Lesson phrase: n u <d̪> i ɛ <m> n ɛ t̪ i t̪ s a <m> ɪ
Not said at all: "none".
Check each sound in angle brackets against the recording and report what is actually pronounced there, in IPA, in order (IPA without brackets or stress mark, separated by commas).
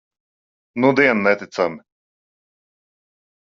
d̪, n, m